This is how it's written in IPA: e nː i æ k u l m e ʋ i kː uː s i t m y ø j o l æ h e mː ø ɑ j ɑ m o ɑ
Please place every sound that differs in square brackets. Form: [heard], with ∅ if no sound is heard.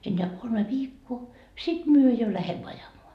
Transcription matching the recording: e nː [e] æ k [o] l m e ʋ [iː] kː [oː] s i t m y ø j o l æ h e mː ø ɑ j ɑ m o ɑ